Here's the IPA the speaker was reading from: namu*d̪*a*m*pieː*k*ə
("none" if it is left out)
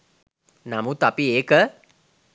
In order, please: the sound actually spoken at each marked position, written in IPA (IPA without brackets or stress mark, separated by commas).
t̪, none, k